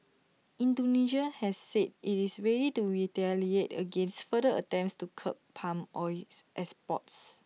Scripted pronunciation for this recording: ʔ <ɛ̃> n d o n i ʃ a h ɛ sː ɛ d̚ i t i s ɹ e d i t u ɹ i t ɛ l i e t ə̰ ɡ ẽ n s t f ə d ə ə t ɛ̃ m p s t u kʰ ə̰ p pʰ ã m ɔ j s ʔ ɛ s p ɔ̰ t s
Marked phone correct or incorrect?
incorrect